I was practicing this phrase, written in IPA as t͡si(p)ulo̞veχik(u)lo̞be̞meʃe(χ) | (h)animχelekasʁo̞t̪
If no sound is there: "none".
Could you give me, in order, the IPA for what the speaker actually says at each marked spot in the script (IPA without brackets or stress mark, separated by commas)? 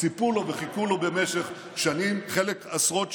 p, u, χ, ʃ